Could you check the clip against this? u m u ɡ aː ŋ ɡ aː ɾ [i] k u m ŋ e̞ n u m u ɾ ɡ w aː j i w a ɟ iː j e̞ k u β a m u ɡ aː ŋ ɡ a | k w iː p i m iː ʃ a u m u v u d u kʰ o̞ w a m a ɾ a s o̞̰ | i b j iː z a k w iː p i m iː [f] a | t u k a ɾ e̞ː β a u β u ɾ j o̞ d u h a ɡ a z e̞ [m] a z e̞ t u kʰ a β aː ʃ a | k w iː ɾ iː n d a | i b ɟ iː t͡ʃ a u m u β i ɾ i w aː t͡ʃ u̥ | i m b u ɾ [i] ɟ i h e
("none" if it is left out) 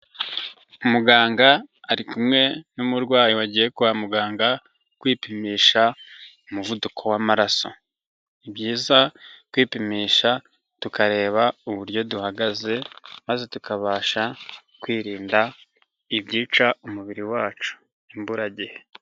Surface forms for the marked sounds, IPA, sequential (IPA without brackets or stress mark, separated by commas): i, ʃ, m, a